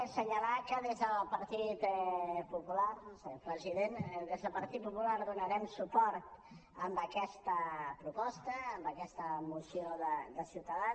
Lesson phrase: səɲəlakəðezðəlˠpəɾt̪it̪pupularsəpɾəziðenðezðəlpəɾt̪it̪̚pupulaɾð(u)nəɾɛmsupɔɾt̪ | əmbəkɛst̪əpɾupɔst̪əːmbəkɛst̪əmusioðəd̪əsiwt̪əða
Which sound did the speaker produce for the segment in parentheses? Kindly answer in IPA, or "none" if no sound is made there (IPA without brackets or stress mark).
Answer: u